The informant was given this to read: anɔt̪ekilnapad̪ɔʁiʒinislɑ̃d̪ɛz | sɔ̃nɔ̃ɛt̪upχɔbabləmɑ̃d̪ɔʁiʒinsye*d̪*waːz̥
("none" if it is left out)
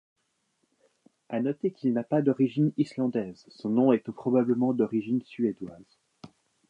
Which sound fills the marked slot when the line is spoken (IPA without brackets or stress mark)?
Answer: d̪